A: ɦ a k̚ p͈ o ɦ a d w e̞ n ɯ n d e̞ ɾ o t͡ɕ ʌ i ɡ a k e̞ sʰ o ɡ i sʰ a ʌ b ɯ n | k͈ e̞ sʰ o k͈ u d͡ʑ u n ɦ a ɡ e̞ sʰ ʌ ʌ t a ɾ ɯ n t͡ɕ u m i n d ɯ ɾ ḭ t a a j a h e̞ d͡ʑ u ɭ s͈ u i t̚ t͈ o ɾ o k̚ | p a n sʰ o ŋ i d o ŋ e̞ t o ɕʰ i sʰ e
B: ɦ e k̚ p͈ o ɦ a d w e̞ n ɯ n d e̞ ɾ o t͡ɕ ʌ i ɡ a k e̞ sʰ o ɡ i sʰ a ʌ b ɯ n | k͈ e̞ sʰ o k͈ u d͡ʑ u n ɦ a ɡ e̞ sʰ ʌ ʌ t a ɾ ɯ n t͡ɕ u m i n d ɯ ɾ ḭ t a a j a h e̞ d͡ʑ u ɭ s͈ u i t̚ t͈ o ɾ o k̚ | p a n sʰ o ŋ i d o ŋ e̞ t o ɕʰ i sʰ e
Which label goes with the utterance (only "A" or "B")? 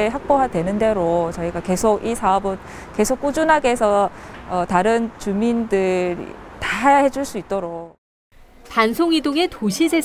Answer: A